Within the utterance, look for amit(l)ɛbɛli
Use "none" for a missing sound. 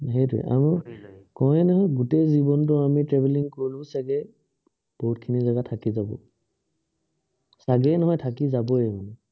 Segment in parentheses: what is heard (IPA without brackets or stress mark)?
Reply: ɹ